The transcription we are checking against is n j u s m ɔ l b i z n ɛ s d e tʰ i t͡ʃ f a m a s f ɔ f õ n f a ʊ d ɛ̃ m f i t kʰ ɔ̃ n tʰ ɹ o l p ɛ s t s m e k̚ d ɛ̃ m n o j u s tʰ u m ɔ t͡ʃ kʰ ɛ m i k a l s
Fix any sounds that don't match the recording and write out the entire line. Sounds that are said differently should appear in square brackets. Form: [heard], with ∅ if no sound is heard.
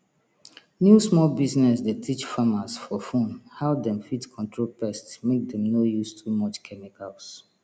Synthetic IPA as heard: n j u s m ɔ l b i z n ɛ s d e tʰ i t͡ʃ f a m a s f ɔ f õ n [h] a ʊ d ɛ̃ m f i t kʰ ɔ̃ n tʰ ɹ o l p ɛ s t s m e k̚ d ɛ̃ m n o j u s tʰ u m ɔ t͡ʃ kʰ ɛ m i k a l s